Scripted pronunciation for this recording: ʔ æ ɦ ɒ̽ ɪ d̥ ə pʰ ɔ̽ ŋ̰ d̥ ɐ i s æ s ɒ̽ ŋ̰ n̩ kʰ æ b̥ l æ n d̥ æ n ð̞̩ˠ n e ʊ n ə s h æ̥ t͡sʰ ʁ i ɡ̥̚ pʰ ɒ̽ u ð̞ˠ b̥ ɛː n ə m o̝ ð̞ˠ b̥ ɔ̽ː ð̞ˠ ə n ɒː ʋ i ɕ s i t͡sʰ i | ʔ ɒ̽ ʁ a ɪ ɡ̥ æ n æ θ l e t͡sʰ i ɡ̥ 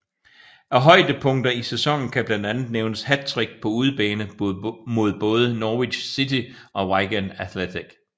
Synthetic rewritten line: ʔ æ ɦ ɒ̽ ɪ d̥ ə pʰ ɔ̽ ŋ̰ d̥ ɐ i s e s ɒ̽ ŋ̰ n̩ kʰ æ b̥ l æ n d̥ æ n ð̞̩ˠ n e ʊ n ə s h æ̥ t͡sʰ ʁ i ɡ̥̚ pʰ ɒ̽ u ð̞ˠ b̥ ɛː n ə m o̝ ð̞ˠ b̥ ɔ̽ː ð̞ˠ ə n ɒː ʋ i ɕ s i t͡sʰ i | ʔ ɒ̽ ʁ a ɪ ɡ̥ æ n æ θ l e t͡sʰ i ɡ̥